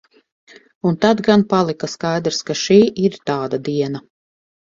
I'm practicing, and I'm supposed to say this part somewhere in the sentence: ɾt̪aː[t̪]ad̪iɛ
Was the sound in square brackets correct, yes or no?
no